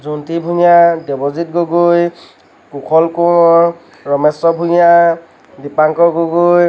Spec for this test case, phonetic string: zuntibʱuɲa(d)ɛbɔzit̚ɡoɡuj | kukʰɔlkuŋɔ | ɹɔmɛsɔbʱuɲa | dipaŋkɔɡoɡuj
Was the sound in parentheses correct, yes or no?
yes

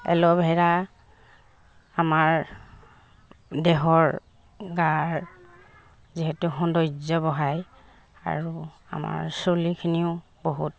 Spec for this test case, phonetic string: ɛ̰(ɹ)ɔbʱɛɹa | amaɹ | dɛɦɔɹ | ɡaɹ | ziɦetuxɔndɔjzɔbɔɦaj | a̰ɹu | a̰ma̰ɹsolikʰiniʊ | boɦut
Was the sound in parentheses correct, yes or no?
no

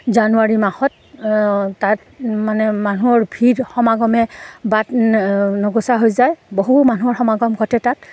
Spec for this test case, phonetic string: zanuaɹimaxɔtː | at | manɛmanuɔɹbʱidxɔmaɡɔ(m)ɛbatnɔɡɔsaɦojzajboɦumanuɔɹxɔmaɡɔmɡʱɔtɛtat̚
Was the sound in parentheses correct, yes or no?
yes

